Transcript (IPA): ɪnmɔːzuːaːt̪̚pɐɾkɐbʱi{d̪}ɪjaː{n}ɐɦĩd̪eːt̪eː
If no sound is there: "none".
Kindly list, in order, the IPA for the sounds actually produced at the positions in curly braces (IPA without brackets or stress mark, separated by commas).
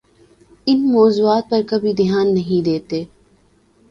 d̪, nː